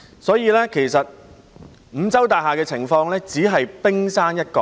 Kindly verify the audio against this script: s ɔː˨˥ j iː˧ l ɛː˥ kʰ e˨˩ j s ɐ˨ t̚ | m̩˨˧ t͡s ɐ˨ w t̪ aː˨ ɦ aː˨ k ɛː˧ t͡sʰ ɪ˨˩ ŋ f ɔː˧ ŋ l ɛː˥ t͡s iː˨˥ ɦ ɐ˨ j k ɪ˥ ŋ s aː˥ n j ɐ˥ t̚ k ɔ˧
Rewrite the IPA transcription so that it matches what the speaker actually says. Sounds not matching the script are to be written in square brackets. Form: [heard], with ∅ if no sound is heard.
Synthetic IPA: s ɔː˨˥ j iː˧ l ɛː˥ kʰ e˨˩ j s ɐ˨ t̚ | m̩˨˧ t͡s [ɐ˥] w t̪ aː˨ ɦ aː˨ k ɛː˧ t͡sʰ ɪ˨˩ ŋ f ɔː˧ ŋ l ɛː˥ t͡s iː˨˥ ɦ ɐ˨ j [p] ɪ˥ ŋ s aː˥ n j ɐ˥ t̚ k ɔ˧